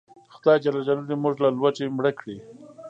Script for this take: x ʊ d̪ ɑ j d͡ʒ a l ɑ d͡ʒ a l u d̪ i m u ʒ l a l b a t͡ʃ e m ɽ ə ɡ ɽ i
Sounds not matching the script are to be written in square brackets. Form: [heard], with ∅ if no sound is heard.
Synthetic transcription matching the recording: x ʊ d̪ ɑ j d͡ʒ a l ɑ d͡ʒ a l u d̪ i m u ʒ l a l [w] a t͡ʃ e m ɽ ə [k] ɽ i